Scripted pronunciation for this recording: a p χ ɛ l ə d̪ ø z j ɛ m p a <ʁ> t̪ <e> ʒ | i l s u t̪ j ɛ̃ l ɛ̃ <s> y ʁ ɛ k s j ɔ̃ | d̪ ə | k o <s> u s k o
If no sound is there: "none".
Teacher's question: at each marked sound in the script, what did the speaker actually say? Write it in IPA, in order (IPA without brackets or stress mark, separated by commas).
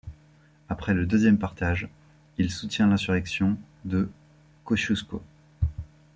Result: ʁ, a, s, ʃ